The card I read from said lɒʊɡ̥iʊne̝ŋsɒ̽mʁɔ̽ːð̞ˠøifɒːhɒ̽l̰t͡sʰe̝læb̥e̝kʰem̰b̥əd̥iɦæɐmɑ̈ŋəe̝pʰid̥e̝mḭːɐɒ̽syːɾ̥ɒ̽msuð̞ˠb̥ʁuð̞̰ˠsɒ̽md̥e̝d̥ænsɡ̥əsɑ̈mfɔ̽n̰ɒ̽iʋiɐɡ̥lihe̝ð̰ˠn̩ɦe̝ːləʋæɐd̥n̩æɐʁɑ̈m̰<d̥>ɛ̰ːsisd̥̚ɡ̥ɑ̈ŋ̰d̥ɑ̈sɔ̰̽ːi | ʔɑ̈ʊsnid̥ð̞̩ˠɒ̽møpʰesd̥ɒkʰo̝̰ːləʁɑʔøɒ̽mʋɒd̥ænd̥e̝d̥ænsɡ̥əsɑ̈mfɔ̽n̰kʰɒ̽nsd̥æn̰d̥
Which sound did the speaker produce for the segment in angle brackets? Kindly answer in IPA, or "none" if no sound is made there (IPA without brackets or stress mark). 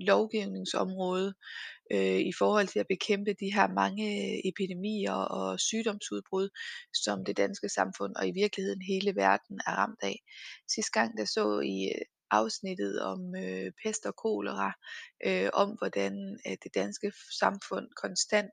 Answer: d̥